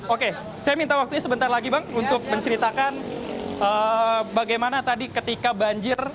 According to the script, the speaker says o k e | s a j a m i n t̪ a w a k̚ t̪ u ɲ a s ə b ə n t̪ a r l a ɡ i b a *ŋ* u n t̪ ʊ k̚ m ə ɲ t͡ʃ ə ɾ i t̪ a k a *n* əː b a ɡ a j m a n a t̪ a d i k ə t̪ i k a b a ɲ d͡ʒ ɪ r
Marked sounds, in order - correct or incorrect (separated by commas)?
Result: correct, correct